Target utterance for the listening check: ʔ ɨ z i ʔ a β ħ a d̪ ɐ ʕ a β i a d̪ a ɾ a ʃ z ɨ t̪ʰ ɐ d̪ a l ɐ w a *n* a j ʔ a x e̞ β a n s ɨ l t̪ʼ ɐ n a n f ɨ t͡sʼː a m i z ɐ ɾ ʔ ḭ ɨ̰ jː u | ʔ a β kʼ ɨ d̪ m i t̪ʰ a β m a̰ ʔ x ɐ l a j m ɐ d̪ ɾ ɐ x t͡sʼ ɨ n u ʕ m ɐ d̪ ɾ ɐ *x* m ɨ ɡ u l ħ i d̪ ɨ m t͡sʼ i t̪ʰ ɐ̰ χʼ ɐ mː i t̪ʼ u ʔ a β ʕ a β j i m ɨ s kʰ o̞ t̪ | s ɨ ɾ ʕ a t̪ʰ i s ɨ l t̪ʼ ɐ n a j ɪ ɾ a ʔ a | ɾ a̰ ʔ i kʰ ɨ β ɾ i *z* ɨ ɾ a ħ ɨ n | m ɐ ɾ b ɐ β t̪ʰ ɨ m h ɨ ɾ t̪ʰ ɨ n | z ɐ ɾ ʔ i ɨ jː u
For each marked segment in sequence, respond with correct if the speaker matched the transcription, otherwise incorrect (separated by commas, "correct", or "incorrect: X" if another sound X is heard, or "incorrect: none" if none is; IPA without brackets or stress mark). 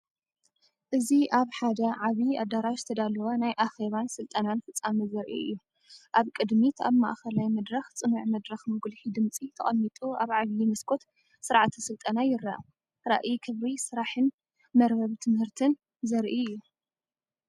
correct, correct, incorrect: s